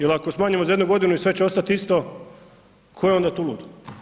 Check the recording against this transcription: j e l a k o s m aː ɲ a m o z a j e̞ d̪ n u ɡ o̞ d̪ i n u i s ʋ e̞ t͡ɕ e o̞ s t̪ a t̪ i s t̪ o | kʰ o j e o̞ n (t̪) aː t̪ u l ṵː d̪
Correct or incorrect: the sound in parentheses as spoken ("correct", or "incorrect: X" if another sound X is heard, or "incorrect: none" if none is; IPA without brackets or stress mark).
incorrect: d̪